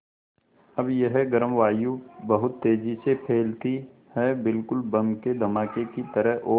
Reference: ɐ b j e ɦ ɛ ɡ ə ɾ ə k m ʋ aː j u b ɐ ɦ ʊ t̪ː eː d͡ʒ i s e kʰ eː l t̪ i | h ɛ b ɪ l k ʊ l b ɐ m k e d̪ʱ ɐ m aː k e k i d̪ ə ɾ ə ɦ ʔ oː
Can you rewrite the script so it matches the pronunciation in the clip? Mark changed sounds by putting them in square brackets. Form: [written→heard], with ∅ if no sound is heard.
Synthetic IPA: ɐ b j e ɦ ɛ ɡ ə ɾ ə [k→∅] m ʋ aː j u b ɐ ɦ ʊ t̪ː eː d͡ʒ i s e [kʰ→pʰ] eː l t̪ i | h ɛ b ɪ l k ʊ l b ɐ m k e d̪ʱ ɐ m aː k e k i [d̪→t̪] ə ɾ ə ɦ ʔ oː